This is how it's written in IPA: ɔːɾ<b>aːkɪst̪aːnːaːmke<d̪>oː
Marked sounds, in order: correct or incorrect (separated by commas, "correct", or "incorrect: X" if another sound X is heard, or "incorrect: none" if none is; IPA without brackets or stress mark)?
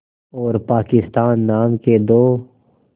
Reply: incorrect: p, correct